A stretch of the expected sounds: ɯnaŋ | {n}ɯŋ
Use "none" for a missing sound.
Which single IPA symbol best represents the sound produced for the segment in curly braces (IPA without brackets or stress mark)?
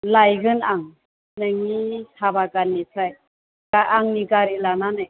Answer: n